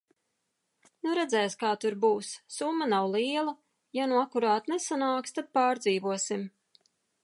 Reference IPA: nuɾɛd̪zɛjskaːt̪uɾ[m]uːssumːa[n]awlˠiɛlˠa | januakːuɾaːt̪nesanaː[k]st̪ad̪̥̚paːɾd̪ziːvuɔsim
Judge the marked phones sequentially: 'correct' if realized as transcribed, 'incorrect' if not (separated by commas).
incorrect, correct, correct